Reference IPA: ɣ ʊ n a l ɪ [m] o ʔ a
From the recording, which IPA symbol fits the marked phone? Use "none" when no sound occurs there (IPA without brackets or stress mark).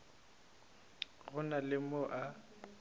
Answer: m